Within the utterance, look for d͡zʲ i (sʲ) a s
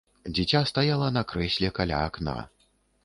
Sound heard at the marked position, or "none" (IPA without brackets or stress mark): t͡sʲ